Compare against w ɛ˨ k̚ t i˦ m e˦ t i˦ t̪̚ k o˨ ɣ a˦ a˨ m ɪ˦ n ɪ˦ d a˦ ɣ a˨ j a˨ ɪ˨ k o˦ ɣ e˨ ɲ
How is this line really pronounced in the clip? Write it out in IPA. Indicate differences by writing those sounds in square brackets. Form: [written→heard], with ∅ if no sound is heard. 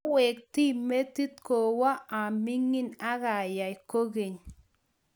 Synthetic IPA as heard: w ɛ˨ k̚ t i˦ m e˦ t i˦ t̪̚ k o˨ [ɣ→w] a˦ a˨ m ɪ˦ [n→ŋ] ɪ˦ [d→n] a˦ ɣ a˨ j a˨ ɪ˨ k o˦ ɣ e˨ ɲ